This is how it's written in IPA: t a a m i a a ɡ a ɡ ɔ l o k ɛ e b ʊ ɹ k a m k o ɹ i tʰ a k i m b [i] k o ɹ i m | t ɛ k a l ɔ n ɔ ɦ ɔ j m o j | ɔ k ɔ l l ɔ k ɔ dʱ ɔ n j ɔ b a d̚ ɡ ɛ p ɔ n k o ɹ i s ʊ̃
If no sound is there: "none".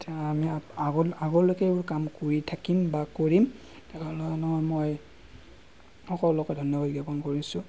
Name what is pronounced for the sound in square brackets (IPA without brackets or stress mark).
a